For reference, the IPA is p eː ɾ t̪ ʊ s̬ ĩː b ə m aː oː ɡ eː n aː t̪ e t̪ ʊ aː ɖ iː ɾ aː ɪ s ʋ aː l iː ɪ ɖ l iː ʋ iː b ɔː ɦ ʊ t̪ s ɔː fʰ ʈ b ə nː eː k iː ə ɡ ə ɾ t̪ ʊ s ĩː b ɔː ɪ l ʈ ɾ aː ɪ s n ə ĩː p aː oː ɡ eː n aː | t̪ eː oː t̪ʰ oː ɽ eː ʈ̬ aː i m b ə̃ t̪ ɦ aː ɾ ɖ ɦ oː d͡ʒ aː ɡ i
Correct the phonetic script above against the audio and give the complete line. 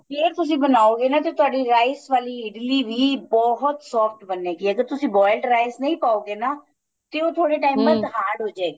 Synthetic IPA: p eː ɾ t̪ ʊ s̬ ĩː b ə n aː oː ɡ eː n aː t̪ e t̪ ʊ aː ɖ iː ɾ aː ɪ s ʋ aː l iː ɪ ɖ l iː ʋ iː b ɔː ɦ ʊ t̪ s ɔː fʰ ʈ b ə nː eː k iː ə ɡ ə ɾ t̪ ʊ s ĩː b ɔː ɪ l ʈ ɾ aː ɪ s n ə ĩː p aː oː ɡ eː n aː | t̪ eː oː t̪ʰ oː ɽ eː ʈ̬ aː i m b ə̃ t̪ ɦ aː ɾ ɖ ɦ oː d͡ʒ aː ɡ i